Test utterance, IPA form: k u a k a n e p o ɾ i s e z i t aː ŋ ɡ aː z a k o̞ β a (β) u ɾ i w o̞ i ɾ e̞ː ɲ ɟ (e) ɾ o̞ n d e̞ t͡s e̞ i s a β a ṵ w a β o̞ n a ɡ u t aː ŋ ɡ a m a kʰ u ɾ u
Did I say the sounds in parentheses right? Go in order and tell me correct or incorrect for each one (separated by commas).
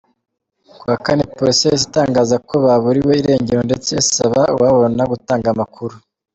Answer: correct, correct